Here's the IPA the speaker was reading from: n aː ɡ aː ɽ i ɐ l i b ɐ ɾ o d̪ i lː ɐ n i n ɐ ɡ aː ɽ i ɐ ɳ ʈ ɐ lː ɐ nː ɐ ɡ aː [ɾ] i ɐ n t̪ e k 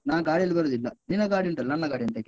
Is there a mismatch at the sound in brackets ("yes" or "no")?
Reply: yes